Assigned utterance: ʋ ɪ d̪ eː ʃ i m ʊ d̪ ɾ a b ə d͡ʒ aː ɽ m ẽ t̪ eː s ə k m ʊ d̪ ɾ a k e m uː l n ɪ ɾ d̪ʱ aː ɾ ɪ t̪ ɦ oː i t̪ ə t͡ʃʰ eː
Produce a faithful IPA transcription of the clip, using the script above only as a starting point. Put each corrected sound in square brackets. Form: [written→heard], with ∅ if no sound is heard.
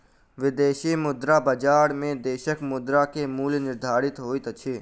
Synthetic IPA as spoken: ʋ ɪ d̪ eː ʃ i m ʊ d̪ ɾ a b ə d͡ʒ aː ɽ m ẽ [t̪→d̪] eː [s→ʃ] ə k m ʊ d̪ ɾ a k e m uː l n ɪ ɾ d̪ʱ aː ɾ ɪ t̪ ɦ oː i t̪ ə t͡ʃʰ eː